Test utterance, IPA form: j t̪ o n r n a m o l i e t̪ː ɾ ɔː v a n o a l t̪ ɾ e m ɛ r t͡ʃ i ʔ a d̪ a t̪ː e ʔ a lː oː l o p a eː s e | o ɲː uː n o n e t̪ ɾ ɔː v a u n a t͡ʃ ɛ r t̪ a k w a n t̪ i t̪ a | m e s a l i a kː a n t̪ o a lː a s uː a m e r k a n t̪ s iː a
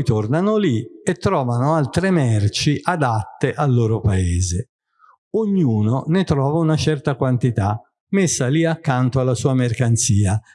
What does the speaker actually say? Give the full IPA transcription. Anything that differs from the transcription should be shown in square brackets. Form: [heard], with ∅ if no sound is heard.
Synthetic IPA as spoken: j t̪ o [∅] r n a [n] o l i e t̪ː ɾ ɔː v a n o a l t̪ ɾ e m ɛ r t͡ʃ i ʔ a d̪ a t̪ː e ʔ a lː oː [ɾ] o p a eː [z] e | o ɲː uː n o n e t̪ ɾ ɔː v a u n a t͡ʃ ɛ r t̪ a k w a n t̪ i t̪ a | m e [sː] a l i a kː a n t̪ o a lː a s uː a m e r k a n t̪ s iː a